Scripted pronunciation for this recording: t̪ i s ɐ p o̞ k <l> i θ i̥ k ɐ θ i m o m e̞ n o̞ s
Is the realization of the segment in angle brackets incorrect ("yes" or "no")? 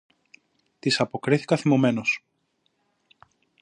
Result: yes